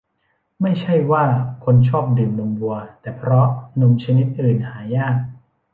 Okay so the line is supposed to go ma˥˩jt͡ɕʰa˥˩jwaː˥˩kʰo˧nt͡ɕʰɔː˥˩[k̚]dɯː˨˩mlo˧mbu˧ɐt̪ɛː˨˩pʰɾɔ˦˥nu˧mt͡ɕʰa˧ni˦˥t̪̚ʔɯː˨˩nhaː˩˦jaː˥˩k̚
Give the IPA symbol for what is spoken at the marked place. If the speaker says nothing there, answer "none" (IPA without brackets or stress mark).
p̚